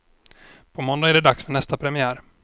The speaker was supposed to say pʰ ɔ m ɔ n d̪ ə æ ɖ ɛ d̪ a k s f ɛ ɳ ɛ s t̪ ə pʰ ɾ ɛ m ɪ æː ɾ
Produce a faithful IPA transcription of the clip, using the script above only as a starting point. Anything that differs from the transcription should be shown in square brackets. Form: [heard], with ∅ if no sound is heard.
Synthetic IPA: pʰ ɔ m ɔ n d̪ [a] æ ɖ ɛ d̪ a k s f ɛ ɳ ɛ s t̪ [a] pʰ ɾ ɛ m ɪ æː ɾ

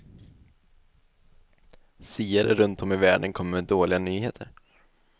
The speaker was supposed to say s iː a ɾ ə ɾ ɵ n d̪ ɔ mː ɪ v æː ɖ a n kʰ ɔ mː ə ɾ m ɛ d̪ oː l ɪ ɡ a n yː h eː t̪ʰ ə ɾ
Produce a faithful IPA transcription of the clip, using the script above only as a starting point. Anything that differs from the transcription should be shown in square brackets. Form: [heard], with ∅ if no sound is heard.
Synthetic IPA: s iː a ɾ ə ɾ ɵ n [t̪] ɔ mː ɪ v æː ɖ [ə] n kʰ ɔ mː ə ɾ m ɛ d̪ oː l ɪ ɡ a n yː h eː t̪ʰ ə ɾ

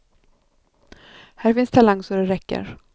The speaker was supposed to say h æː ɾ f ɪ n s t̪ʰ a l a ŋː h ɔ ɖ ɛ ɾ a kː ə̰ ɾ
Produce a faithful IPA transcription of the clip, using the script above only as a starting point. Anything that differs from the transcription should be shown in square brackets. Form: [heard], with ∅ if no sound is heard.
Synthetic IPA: h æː ɾ f ɪ n s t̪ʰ a l a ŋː [s] ɔ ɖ ɛ ɾ [ɛ] kː ə̰ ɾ

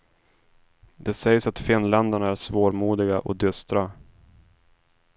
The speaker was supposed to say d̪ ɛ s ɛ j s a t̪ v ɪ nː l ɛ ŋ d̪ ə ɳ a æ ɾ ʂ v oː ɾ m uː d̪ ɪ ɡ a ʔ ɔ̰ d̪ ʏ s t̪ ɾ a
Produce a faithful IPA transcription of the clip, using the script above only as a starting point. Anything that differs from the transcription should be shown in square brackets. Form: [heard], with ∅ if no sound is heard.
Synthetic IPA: d̪ ɛ s ɛ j s a t̪ [f] ɪ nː l ɛ [n] d̪ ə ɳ a æ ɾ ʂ v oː ɾ m uː d̪ ɪ ɡ a ʔ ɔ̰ d̪ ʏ s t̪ ɾ a

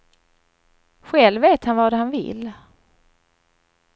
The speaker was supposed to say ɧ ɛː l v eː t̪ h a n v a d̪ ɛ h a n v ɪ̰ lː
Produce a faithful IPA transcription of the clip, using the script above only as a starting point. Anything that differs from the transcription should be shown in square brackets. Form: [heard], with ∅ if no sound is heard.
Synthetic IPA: ɧ [ɛ] l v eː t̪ h a n v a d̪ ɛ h a n v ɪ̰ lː

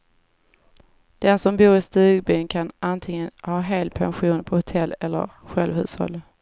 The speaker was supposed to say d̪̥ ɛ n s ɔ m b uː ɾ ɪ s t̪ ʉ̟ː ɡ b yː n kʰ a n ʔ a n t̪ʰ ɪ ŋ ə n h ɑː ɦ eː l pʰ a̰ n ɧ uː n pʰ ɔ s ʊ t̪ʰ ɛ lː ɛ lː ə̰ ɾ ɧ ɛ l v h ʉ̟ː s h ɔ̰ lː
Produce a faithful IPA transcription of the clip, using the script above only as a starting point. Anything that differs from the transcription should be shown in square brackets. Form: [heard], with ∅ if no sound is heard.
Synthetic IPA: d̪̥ ɛ n s ɔ m b uː ɾ ɪ s t̪ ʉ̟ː ɡ b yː n kʰ a n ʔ a n t̪ʰ ɪ ŋ ə n h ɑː ɦ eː l pʰ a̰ n ɧ uː n pʰ ɔ [h] ʊ t̪ʰ ɛ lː ɛ lː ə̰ ɾ ɧ ɛ l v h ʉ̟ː s h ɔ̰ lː

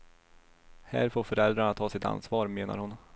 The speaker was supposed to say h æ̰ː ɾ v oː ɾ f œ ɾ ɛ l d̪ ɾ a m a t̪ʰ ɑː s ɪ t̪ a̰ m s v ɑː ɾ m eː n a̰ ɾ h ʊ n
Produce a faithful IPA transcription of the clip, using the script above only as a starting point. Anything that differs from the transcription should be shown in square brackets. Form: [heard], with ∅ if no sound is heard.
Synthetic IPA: h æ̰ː ɾ [f] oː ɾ f œ ɾ ɛ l d̪ ɾ a [ɳ] a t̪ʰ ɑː s ɪ t̪ a̰ [n] s v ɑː ɾ m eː n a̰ ɾ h ʊ n

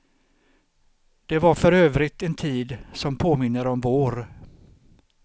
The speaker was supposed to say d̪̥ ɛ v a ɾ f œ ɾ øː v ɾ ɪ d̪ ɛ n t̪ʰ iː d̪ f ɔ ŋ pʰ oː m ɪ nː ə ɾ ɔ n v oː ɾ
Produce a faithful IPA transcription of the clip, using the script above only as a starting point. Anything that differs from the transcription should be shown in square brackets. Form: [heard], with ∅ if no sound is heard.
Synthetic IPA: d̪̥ ɛ v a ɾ f œ ɾ øː v ɾ ɪ [t̪] ɛ n t̪ʰ iː d̪ [s] ɔ [m] pʰ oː m ɪ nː ə ɾ ɔ [m] v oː ɾ

